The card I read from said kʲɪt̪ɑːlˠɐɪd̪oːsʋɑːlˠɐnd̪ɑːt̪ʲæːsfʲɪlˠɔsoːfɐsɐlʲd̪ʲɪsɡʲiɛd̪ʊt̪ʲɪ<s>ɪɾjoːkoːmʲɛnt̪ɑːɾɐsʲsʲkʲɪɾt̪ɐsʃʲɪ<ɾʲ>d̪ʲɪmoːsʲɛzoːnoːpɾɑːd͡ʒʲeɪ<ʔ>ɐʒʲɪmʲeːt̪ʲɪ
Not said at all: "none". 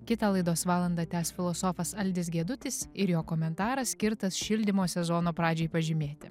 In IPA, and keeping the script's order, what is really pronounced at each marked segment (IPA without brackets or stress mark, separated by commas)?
s, lʲ, p